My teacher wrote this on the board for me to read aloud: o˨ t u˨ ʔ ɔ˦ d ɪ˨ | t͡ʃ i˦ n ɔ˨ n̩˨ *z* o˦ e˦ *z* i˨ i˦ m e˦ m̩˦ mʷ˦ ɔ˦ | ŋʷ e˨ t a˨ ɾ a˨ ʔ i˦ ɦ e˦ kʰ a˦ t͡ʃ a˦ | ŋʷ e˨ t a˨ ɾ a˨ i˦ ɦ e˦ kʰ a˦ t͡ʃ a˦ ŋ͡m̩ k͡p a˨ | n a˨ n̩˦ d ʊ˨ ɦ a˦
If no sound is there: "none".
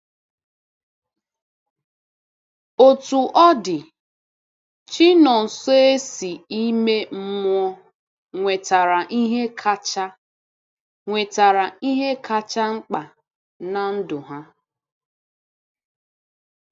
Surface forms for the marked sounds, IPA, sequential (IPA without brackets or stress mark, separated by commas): s, s